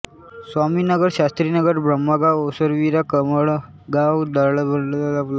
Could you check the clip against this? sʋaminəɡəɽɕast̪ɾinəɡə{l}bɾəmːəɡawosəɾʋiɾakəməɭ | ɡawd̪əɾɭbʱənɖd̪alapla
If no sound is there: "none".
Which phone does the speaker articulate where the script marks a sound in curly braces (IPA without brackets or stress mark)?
ɾ